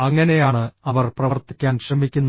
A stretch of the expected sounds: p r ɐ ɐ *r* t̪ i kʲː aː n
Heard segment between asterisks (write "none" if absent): r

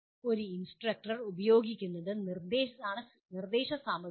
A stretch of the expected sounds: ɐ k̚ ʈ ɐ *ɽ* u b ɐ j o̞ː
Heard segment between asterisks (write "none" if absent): r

